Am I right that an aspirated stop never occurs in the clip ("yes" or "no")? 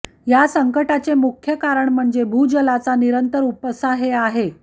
no